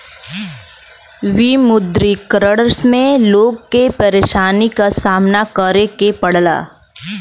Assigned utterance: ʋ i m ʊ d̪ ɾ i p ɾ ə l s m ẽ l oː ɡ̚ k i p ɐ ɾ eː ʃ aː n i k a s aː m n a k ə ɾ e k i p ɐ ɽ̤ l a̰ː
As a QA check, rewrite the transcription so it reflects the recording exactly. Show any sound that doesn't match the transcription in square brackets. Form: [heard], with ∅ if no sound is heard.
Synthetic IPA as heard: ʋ i m ʊ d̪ ɾ i [k] ɾ ə [ɽ] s m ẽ l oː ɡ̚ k [e] p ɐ ɾ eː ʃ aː n i k a s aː m n a k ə ɾ e k [e] p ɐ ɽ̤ l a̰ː